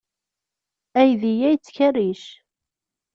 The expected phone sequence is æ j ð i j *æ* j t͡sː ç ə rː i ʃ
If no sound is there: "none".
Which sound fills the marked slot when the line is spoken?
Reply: æ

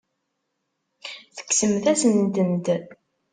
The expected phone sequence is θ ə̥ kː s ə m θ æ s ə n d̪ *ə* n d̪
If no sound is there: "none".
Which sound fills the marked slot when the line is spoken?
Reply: ə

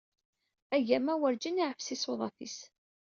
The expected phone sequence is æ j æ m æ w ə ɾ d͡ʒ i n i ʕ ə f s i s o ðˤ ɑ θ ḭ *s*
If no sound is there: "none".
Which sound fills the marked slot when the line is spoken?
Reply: s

